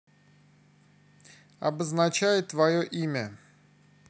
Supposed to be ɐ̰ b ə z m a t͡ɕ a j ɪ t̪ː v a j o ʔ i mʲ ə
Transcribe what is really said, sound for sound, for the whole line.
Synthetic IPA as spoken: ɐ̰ b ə z n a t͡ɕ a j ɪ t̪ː v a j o ʔ i mʲ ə